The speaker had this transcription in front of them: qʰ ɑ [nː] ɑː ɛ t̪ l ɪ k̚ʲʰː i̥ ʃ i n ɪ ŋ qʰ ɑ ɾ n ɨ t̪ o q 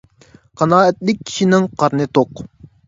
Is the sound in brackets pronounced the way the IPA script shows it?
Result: no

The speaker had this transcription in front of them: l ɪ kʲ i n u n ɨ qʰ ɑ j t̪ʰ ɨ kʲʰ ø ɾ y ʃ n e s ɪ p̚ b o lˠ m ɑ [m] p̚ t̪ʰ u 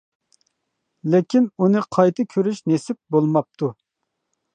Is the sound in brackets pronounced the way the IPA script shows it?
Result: no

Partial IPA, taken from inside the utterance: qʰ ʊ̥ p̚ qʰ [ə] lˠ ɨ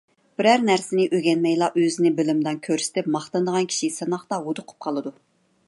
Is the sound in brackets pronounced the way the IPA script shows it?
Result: no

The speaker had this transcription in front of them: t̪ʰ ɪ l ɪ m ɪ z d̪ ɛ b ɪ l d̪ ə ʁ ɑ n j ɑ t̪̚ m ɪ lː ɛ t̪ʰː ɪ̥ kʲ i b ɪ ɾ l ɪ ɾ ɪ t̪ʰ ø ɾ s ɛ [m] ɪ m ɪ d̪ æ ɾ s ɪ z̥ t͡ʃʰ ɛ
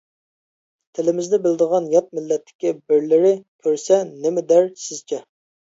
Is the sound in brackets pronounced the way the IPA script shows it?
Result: no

